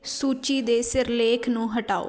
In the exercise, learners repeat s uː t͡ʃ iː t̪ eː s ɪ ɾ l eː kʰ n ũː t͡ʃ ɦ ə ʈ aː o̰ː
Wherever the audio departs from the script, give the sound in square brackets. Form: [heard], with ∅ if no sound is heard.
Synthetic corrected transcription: s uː t͡ʃ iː [d̪] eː s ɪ ɾ l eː kʰ n ũː [∅] ɦ ə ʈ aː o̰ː